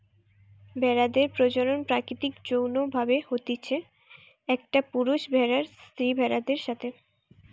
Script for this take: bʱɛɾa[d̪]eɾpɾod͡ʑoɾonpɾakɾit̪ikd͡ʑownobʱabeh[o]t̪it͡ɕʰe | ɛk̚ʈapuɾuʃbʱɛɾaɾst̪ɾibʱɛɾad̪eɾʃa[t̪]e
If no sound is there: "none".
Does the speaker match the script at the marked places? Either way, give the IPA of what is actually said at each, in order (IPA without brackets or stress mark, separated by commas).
d̪, o, t̪ʰ